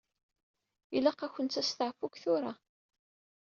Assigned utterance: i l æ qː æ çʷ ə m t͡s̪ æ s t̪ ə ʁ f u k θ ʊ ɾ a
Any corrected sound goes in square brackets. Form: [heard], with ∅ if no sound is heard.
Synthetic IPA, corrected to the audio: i l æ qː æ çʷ ə [n] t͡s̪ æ s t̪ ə [ʕ] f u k θ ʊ ɾ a